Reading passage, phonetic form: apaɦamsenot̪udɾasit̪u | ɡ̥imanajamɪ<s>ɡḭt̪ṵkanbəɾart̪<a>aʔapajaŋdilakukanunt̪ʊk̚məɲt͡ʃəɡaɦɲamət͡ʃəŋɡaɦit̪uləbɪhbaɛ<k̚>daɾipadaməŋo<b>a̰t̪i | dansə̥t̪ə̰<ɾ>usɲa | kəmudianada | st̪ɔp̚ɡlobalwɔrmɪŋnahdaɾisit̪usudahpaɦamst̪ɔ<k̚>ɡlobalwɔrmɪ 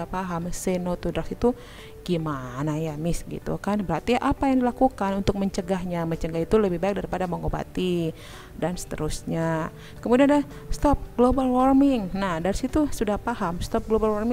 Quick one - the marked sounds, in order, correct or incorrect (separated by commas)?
correct, incorrect, correct, correct, correct, incorrect